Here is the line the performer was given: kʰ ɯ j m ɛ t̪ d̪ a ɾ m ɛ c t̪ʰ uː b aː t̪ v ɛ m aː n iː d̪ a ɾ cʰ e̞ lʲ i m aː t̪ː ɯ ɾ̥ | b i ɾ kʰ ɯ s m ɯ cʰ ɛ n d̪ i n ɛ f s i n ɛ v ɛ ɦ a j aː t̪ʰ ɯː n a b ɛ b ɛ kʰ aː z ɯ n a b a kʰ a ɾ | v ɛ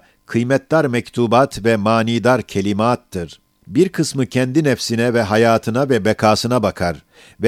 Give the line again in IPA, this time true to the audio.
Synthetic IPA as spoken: kʰ ɯ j m ɛ t̪ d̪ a ɾ m ɛ c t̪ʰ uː b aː t̪ v ɛ m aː n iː d̪ a ɾ cʰ e̞ lʲ i m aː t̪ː ɯ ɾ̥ | b i ɾ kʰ ɯ s m ɯ cʰ ɛ n d̪ i n ɛ f s i n ɛ v ɛ ɦ a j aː t̪ʰ ɯ n a v ɛ b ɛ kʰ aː s ɯ n a b a kʰ a ɾ | v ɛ